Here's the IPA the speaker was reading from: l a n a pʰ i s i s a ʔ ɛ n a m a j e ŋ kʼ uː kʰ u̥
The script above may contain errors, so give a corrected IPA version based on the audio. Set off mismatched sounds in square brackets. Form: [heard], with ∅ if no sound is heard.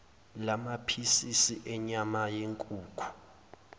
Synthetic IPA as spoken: l a [m] a pʰ i s i s [i] ʔ ɛ [ɲ] a m a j e ŋ kʼ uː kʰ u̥